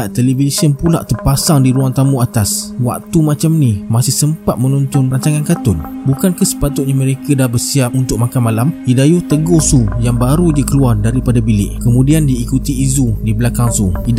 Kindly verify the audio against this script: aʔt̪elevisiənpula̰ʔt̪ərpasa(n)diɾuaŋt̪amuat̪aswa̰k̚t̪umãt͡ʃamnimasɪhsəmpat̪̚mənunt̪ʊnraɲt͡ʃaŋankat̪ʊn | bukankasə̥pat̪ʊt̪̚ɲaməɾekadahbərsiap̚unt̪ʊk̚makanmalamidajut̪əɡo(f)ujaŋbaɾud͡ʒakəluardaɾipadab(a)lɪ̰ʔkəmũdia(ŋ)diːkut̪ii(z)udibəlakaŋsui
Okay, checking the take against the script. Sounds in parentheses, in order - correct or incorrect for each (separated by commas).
incorrect, incorrect, incorrect, incorrect, correct